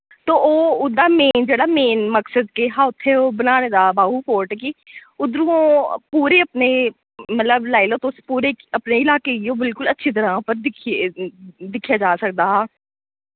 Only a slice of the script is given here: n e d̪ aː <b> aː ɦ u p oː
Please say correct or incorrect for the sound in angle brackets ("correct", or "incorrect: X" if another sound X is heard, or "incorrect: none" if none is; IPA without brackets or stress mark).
correct